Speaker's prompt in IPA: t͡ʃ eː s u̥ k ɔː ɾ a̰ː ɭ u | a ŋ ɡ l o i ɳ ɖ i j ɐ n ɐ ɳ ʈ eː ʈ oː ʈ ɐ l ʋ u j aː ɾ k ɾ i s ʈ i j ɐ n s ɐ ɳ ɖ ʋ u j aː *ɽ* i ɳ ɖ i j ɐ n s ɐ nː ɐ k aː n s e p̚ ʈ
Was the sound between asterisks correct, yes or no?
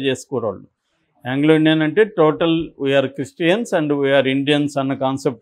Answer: no